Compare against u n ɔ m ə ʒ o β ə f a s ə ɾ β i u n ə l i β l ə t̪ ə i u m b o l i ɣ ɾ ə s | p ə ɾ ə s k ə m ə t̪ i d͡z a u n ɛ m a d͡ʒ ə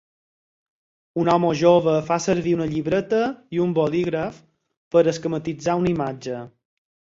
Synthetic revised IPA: u n ɔ m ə ʒ o β ə f a s ə ɾ β i u n ə ʎ i β ɾ ə t̪ ə i u m b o l i ɣ ɾ ə f | p ə ɾ ə s k ə m ə t̪ i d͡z a u n i m a d͡ʒ ə